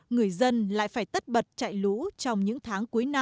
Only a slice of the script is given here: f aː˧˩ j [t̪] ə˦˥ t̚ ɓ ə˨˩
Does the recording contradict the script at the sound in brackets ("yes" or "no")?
no